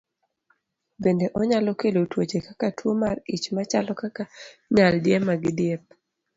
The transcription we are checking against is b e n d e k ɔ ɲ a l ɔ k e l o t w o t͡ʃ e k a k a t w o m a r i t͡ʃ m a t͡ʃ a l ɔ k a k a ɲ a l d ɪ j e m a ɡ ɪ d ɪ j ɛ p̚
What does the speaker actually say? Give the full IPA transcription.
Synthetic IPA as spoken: b e n d e ʔ ɔ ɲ a l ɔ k e l o t w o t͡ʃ e k a k a t w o m a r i t͡ʃ m a t͡ʃ a l ɔ k a k a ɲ a l d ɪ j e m a ɡ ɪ d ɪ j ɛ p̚